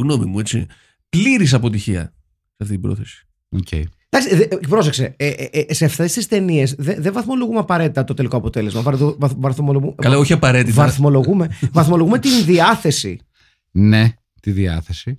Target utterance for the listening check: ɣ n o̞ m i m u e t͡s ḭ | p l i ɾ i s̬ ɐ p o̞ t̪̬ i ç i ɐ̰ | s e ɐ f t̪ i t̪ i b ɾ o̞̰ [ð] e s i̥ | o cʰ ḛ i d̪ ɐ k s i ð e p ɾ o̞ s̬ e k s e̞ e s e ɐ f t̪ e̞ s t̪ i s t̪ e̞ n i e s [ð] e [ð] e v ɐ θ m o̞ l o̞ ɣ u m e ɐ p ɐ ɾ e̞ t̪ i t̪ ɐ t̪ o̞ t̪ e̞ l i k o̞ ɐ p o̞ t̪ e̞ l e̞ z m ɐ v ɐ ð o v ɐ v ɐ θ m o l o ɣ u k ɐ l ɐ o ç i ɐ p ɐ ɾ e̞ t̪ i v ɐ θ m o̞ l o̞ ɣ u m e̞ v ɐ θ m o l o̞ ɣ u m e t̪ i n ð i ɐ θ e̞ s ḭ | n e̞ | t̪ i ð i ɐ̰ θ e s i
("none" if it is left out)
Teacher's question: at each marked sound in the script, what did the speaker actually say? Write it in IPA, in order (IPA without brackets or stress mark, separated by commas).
θ, ð, ð